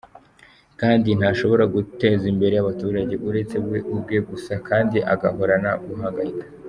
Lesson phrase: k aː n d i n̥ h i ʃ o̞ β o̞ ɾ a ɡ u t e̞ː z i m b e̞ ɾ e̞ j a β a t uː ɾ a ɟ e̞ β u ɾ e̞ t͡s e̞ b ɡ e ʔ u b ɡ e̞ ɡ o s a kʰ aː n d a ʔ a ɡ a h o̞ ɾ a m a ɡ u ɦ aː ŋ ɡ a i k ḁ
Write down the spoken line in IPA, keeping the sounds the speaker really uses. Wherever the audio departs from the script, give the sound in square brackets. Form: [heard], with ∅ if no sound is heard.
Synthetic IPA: k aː n d i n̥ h [a] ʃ o̞ β o̞ ɾ a ɡ u t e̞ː z i m b e̞ ɾ e̞ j a β a t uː ɾ a ɟ e̞ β u ɾ e̞ t͡s e̞ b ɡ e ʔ u b ɡ e̞ ɡ [u] s a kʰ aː n d [i] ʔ a ɡ a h o̞ ɾ a [n] a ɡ u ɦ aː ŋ ɡ a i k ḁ